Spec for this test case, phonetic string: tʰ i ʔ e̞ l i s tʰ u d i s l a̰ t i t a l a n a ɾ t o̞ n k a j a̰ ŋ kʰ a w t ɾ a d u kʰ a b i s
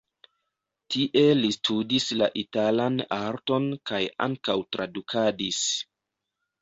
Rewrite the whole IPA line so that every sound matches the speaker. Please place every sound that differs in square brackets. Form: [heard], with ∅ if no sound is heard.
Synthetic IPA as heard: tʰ i ʔ e̞ l i s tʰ u d i s l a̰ [ʔ] i t a l a n a ɾ t o̞ n k a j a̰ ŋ [k] a w t ɾ a d u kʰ a [d] i s